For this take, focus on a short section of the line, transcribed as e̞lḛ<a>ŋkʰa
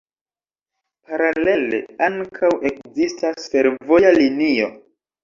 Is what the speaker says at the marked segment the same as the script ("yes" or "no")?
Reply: yes